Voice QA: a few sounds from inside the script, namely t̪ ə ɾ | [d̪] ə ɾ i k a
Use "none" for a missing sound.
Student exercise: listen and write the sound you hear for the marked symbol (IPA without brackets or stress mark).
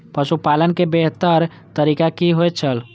t̪